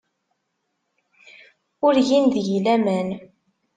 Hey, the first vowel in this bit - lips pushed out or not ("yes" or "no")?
yes